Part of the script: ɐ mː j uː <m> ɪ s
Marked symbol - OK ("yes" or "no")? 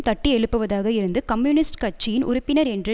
no